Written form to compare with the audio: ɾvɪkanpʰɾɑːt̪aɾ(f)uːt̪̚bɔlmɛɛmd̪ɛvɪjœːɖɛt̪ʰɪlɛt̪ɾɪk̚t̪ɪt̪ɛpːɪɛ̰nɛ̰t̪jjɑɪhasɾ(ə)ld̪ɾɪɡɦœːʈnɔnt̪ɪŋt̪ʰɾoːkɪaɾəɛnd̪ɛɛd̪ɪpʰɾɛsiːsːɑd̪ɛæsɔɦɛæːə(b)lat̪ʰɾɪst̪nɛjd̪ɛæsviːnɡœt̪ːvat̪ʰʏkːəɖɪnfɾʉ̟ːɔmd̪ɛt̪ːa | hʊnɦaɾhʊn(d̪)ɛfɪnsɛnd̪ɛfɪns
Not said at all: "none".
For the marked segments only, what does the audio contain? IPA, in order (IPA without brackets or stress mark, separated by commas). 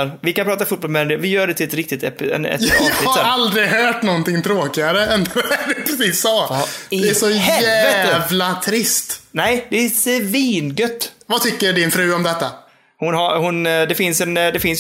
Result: f, a, v, d̪